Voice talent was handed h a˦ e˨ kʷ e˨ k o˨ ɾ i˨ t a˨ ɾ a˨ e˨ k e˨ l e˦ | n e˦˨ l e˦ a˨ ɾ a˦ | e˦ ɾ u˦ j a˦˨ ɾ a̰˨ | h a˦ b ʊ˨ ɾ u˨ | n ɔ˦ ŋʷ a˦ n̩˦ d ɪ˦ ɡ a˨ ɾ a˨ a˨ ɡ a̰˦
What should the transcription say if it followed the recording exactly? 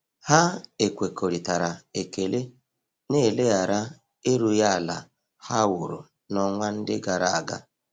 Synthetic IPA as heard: h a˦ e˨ kʷ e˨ k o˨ ɾ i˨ t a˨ ɾ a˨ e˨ k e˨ l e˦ | n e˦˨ l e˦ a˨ ɾ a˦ | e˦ ɾ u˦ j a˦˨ l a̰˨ | h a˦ w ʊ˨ ɾ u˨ | n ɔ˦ ŋʷ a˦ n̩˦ d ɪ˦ ɡ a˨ ɾ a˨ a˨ ɡ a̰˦